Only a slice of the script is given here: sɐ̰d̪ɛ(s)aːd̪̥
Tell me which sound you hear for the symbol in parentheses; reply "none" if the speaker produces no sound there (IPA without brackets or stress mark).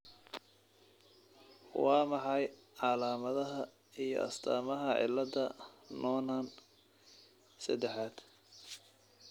ħ